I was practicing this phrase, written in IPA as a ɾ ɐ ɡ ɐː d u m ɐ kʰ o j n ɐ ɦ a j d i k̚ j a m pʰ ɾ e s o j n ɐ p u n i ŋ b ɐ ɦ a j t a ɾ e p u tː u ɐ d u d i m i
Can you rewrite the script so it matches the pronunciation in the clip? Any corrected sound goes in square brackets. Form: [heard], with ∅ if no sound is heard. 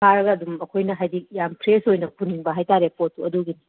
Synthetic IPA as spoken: a ɾ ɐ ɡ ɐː d u m ɐ kʰ o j n ɐ ɦ a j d i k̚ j a m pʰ ɾ e s o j n ɐ p u n i ŋ b ɐ ɦ a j t a ɾ e p [o] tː u ɐ d u [ɡ] i [n] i